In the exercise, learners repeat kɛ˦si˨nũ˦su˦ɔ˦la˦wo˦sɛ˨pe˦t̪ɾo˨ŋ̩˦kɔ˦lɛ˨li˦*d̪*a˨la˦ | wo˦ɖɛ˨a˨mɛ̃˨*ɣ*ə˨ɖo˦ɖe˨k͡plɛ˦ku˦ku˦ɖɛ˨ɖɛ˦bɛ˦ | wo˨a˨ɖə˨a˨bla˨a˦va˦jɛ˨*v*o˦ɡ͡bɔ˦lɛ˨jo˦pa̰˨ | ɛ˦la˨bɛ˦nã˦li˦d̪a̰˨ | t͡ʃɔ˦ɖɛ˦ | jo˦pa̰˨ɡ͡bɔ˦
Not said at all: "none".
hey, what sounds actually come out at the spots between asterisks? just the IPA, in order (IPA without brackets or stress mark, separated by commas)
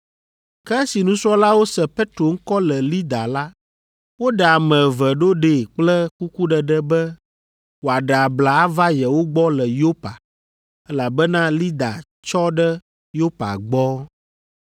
d̪, v, w